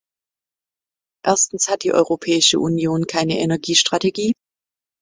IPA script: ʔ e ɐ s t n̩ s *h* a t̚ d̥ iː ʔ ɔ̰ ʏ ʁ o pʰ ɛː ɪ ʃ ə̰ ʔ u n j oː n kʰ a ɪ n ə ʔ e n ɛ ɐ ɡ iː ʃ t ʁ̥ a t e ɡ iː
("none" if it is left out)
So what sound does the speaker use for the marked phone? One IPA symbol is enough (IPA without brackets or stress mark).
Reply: h